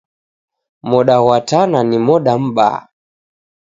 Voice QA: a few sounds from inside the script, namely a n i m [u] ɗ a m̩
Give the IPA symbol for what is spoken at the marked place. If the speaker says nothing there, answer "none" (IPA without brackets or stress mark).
ɔ